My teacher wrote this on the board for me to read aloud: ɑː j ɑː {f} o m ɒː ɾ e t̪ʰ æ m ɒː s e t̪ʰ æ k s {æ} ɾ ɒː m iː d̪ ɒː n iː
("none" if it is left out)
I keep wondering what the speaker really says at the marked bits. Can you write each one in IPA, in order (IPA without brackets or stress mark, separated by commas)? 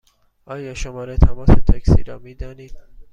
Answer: ʃ, i